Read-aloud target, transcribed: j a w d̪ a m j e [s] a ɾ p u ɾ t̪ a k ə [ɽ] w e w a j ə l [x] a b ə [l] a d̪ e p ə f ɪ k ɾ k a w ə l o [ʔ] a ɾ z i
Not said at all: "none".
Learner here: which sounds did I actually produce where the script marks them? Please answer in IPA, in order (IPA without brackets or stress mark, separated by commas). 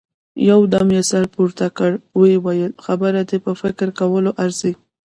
s, ɽ, x, ɾ, ʔ